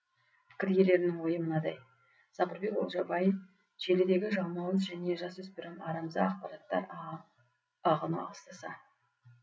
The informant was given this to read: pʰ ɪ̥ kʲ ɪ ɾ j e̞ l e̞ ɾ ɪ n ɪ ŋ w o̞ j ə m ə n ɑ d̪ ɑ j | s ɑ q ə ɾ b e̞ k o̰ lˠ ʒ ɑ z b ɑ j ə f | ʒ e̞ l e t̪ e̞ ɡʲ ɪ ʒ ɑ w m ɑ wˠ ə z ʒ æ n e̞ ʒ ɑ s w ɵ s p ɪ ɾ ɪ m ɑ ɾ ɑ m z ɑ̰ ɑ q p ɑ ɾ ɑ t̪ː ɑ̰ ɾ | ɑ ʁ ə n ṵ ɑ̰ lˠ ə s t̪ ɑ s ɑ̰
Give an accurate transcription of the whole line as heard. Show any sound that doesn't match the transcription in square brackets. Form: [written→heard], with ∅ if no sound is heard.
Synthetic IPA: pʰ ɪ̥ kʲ ɪ ɾ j e̞ l e̞ ɾ ɪ n ɪ ŋ w o̞ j ə m ə n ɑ d̪ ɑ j | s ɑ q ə ɾ b e̞ k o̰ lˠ ʒ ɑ [z→∅] b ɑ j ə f | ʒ e̞ l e [t̪→d̪] e̞ ɡʲ ɪ ʒ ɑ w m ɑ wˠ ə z ʒ æ n e̞ ʒ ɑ s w ɵ s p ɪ ɾ ɪ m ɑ ɾ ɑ m z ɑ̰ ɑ q p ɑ ɾ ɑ t̪ː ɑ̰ ɾ | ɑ ʁ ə n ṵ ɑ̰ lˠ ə s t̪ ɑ s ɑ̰